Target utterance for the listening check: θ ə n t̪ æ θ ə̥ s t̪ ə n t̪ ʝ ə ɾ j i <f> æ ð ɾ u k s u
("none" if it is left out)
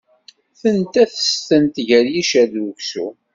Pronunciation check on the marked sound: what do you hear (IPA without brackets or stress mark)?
ʃ